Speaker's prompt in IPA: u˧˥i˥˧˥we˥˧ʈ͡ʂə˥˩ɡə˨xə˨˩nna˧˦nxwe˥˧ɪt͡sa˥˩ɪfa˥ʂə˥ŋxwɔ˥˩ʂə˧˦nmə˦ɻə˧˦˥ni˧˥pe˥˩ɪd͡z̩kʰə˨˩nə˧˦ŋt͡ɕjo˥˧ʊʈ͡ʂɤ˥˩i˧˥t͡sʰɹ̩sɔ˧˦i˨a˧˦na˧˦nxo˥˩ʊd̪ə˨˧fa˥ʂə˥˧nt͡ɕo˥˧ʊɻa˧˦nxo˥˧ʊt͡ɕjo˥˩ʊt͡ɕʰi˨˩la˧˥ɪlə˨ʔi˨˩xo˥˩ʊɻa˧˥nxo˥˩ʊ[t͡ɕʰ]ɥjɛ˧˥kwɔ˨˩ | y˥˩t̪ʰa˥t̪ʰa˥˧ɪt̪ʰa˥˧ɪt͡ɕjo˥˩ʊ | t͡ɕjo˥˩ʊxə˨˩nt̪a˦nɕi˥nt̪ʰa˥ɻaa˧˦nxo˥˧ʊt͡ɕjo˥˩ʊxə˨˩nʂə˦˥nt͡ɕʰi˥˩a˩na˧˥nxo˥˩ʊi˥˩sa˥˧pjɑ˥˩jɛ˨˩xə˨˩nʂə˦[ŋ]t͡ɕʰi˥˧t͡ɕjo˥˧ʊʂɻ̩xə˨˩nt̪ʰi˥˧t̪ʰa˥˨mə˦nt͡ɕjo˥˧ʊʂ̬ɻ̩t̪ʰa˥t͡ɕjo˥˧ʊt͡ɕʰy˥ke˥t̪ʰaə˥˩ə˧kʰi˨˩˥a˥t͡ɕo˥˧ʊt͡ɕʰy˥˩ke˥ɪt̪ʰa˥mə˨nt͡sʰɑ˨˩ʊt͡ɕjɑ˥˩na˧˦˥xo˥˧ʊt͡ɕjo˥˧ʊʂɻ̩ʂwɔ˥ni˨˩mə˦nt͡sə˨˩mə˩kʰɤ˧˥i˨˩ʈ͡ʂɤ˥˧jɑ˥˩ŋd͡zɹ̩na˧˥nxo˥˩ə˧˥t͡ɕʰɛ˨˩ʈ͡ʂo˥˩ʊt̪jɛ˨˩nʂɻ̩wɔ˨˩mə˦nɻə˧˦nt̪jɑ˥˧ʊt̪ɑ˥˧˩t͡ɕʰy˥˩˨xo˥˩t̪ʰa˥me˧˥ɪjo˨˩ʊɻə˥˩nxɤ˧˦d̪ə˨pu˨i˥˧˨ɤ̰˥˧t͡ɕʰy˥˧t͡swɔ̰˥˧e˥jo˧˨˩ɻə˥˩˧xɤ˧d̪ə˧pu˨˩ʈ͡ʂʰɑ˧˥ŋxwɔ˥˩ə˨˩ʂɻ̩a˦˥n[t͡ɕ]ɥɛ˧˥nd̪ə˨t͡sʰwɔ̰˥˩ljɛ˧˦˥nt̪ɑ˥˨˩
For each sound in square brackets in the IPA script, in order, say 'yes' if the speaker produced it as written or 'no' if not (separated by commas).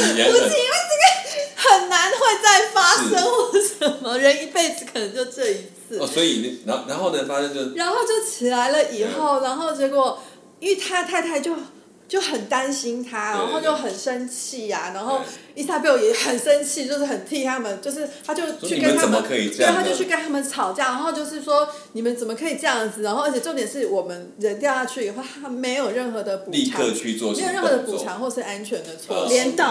no, no, no